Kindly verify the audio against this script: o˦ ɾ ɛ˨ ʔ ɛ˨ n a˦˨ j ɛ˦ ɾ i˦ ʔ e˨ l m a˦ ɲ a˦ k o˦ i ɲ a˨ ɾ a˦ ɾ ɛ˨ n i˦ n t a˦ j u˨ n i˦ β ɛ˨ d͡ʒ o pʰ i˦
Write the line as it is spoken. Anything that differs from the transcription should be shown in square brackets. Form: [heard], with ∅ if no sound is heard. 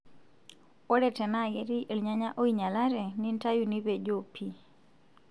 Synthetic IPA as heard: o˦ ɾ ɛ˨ [t] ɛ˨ n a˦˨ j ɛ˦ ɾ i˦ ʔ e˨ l [ɲ] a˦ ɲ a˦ [ʔ] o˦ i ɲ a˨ [l] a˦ ɾ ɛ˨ n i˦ n t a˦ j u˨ n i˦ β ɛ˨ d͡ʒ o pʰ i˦